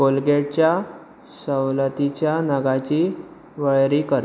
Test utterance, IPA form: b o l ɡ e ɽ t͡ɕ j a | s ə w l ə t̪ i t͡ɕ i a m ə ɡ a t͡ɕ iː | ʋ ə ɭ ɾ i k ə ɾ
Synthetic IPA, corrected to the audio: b o l ɡ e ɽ t͡ɕ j a | s ə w l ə t̪ i t͡ɕ j a n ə ɡ a t͡ɕ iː | ʋ ə ɭ ɾ i k ə ɾ